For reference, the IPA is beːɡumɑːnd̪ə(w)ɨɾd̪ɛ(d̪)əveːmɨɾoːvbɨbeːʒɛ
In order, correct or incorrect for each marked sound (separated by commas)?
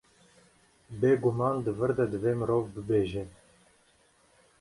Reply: incorrect, correct